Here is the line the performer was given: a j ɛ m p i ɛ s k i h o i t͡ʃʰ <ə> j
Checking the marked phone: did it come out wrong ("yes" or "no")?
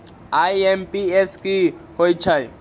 yes